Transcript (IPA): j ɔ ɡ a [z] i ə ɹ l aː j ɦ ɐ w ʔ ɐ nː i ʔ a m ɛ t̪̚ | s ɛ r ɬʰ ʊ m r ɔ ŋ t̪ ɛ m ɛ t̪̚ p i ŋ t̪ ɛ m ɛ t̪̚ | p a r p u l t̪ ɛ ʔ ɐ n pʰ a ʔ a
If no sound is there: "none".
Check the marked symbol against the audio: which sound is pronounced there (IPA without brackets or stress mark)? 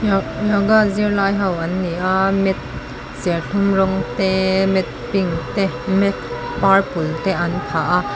z